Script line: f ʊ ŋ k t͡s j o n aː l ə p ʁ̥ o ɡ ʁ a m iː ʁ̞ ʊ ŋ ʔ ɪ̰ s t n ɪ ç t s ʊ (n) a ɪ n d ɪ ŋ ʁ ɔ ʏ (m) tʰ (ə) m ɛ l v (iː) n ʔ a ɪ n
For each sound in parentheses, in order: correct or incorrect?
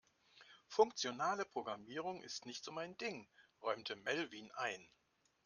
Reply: incorrect, correct, correct, correct

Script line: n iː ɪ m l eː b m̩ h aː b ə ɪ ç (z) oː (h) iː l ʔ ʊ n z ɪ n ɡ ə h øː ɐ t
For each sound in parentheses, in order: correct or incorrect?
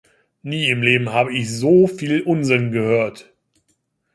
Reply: correct, incorrect

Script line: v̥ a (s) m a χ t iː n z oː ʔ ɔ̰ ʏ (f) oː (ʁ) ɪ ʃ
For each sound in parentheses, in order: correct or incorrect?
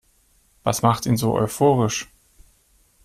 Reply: correct, correct, correct

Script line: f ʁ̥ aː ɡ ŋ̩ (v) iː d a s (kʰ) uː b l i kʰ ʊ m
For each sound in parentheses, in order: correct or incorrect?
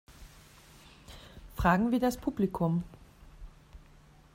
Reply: correct, incorrect

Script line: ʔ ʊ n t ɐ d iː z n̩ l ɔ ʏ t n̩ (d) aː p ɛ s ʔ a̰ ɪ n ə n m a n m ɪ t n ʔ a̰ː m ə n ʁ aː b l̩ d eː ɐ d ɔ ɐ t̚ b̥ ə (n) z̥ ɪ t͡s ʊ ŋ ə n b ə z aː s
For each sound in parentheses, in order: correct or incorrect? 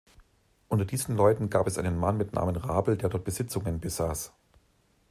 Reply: incorrect, incorrect

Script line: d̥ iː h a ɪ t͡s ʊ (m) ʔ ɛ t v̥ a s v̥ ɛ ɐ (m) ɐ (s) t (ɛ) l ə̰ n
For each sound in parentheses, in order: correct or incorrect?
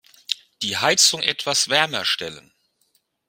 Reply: incorrect, correct, incorrect, correct

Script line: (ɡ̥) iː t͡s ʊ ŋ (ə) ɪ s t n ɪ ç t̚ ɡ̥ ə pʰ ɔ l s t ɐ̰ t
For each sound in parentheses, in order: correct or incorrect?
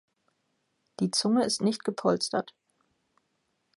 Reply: incorrect, correct

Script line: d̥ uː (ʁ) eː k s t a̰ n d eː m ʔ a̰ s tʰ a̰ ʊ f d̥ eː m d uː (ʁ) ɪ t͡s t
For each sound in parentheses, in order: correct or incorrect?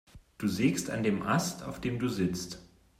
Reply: incorrect, incorrect

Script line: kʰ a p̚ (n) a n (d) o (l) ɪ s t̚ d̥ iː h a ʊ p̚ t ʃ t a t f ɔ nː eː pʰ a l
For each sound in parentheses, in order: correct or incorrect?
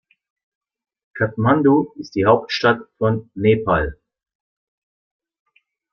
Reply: incorrect, correct, incorrect

